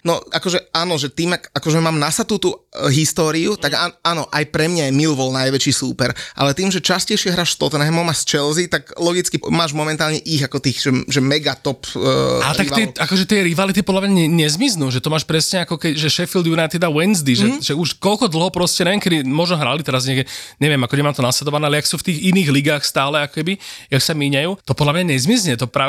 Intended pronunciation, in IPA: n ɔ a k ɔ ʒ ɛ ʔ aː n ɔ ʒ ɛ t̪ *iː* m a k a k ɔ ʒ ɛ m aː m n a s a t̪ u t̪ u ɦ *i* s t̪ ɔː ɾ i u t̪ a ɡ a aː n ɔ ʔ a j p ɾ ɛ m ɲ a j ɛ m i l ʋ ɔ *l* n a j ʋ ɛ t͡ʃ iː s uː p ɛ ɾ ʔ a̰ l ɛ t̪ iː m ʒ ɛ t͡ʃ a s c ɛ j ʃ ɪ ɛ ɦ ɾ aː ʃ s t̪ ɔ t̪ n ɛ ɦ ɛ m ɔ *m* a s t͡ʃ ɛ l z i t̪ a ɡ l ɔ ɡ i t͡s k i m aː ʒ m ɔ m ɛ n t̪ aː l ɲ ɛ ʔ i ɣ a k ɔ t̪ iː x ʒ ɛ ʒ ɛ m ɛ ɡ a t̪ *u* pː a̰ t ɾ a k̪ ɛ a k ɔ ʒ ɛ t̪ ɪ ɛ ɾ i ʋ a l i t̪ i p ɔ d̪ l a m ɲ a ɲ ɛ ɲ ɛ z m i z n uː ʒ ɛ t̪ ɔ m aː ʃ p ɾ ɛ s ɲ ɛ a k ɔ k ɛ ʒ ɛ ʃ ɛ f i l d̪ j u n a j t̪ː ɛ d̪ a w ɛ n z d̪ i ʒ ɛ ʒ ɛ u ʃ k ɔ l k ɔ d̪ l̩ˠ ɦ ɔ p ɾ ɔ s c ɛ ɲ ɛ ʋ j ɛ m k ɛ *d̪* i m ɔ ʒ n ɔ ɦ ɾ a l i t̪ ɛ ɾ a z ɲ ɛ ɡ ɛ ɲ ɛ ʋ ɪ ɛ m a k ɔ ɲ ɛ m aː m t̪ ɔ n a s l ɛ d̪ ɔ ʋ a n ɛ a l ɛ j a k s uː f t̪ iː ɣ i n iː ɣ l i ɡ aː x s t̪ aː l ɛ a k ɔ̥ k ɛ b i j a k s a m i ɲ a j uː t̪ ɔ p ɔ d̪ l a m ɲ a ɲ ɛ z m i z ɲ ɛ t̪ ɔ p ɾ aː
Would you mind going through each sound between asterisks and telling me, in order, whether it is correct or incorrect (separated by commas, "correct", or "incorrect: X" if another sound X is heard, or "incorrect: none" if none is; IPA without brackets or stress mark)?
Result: correct, correct, correct, correct, incorrect: ɔ, correct